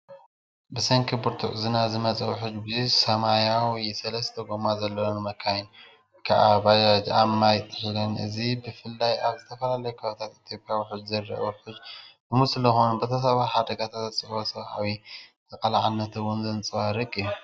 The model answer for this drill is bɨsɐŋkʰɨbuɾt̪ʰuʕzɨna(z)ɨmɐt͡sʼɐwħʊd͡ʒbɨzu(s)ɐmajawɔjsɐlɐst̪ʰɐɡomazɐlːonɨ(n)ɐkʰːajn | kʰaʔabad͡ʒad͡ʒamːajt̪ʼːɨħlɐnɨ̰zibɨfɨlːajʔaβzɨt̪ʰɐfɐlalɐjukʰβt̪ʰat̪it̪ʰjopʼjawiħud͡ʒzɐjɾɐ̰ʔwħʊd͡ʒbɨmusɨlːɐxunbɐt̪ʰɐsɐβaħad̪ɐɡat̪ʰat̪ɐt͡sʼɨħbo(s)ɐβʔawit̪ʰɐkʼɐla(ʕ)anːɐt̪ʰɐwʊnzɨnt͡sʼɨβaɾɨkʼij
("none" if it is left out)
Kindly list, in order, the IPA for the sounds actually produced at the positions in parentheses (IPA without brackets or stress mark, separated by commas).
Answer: z, s, m, s, ʕ